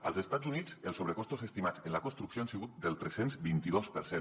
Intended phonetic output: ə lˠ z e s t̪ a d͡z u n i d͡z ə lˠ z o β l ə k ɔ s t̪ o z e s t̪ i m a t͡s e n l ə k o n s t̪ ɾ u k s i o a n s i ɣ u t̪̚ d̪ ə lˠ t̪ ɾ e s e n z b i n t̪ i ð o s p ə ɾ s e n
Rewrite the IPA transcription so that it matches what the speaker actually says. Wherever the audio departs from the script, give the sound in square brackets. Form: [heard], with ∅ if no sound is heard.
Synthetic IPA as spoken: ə lˠ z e s t̪ a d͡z u n i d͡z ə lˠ [s] o β [ɾ] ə k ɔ s t̪ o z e s t̪ i m a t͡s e n l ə k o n s t̪ ɾ u k s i o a n s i ɣ u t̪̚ d̪ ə lˠ t̪ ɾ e s e n z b i n t̪ i ð o s p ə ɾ s e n